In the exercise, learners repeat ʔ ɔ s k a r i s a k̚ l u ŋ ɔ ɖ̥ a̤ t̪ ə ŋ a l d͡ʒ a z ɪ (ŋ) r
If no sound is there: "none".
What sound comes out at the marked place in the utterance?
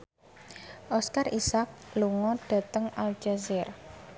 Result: none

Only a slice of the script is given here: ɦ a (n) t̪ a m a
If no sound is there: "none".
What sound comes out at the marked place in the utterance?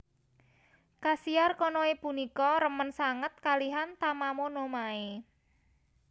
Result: n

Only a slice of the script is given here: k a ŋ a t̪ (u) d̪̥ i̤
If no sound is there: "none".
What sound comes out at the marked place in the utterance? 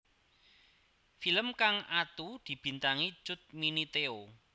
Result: u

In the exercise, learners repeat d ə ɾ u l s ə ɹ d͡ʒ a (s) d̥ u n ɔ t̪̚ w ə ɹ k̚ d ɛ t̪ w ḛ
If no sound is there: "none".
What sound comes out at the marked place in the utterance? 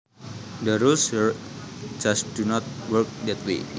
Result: s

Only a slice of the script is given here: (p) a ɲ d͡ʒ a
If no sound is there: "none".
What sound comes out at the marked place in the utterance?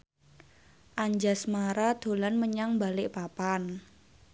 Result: ʔ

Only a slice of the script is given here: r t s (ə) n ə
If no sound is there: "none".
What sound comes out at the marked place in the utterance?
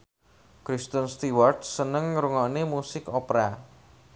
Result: ə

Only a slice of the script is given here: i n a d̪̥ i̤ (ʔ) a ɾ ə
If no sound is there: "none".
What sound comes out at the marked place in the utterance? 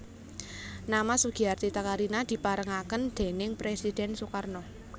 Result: p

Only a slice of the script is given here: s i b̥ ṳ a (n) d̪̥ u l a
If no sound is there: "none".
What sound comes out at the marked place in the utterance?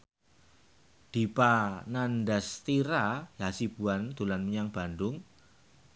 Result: n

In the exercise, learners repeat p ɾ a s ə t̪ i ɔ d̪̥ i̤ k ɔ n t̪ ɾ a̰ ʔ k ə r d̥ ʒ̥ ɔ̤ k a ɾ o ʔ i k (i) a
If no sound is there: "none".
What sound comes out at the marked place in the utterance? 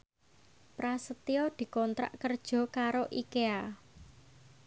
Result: e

